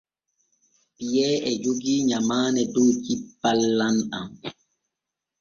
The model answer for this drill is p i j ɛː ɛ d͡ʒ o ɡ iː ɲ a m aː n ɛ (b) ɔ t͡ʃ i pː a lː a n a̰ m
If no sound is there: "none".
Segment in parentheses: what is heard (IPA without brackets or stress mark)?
d